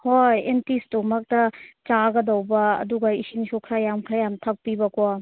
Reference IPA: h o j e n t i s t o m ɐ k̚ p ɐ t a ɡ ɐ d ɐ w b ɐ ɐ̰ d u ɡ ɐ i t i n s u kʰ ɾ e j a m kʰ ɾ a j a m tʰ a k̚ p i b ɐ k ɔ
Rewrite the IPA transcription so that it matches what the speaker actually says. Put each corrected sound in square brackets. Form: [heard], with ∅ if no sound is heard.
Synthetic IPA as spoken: h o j e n t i s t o m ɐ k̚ [t] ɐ [t͡ʃ] a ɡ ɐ d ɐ w b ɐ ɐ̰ d u ɡ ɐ i [s] i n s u kʰ ɾ [a] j a m kʰ ɾ a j a m tʰ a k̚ p i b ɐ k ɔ